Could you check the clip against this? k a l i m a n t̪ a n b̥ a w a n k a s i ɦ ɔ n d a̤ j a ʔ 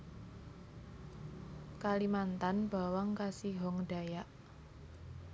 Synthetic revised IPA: k a l i m a n t̪ a n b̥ a w a ŋ k a s i ɦ ɔ ŋ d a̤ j a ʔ